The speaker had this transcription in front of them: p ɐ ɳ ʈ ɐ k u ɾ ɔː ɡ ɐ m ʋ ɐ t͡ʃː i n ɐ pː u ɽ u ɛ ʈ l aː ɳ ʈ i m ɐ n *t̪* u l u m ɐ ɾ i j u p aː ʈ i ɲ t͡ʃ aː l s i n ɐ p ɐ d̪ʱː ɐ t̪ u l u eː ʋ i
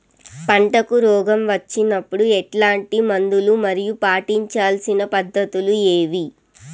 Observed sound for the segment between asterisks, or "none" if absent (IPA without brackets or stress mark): d̪